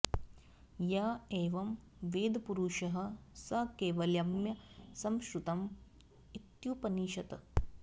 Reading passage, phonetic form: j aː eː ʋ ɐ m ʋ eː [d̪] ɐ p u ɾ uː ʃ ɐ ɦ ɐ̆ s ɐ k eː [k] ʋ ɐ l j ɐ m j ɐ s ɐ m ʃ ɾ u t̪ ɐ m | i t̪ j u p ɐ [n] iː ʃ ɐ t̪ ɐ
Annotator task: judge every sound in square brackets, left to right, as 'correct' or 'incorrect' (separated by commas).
correct, incorrect, correct